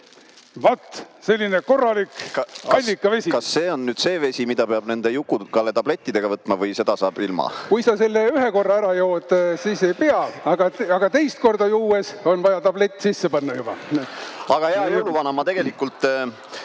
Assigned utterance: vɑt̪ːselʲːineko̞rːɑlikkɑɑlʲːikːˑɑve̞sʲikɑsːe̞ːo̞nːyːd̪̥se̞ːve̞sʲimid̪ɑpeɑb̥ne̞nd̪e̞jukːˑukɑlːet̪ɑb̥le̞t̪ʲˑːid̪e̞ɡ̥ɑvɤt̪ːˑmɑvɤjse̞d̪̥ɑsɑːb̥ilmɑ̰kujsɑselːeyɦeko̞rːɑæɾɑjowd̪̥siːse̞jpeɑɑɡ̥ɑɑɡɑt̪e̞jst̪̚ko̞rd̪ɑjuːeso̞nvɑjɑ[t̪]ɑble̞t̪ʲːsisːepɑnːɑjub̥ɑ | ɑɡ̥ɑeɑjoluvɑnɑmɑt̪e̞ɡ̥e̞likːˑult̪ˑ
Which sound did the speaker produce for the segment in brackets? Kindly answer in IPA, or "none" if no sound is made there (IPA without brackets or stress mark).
t̪